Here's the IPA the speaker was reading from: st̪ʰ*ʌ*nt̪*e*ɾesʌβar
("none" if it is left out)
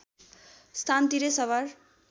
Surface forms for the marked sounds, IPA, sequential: a, i

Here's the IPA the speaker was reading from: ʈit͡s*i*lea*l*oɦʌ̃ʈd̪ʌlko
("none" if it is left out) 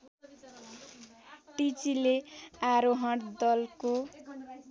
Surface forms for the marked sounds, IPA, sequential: i, ɾ

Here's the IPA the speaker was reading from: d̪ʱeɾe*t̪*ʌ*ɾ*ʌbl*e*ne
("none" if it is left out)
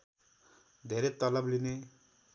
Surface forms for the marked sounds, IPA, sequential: t̪, l, i

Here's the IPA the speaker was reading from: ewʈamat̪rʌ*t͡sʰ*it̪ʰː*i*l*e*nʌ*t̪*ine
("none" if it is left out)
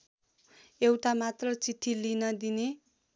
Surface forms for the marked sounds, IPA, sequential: t͡s, i, i, d̪

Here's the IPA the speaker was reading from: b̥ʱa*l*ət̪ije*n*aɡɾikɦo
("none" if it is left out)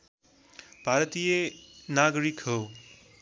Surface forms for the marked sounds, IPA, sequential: ɾ, n

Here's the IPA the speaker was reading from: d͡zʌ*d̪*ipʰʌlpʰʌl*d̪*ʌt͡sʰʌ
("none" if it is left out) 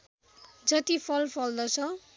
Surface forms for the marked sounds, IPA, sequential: t̪, d̪

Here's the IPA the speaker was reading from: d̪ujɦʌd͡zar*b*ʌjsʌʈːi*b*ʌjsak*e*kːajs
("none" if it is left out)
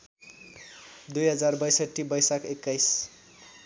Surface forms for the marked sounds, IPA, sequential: b, b, e

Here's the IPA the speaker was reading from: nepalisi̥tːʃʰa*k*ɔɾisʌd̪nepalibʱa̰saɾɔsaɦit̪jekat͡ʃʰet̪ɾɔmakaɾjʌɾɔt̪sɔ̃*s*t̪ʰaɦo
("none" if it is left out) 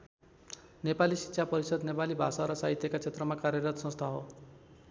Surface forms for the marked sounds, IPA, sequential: p, s

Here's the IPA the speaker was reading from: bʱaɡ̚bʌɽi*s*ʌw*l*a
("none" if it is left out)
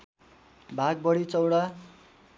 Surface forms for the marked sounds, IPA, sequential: t͡s, ɽ

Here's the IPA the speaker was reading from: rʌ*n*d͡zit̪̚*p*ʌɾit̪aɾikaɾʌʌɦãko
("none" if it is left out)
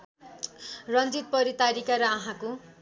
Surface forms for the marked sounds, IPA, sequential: n, p

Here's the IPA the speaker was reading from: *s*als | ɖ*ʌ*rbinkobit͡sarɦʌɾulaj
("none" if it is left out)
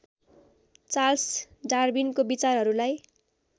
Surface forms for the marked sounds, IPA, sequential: t͡s, a

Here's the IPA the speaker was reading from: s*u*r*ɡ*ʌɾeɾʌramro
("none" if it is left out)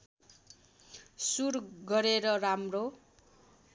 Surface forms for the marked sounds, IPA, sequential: u, ɡ

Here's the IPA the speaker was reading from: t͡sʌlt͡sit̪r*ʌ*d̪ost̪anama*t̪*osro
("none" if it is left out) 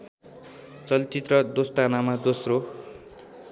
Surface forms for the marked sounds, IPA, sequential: ʌ, d̪

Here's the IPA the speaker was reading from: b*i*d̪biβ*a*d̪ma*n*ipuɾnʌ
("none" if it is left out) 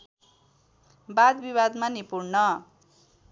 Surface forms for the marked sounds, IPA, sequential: a, a, n

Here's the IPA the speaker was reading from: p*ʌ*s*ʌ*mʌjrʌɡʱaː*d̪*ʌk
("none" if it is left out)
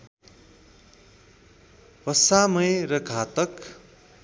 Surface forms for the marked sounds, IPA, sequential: ʌ, a, t̪

